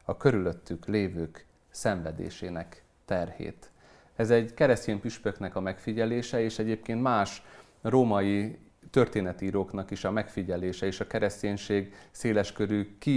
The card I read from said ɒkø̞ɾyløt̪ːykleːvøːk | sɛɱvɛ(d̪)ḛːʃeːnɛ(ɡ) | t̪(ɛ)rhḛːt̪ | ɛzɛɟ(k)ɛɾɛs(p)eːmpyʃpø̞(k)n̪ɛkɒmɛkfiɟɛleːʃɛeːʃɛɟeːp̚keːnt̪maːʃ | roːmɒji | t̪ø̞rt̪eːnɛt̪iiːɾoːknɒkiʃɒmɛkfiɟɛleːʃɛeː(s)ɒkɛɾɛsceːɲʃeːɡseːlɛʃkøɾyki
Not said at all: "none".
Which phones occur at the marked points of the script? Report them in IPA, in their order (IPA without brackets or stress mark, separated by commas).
d̪, k, ɛ, k, c, k, ʃ